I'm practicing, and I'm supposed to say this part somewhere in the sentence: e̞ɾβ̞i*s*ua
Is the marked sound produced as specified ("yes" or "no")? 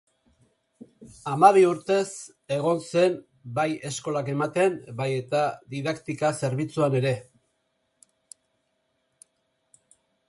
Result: no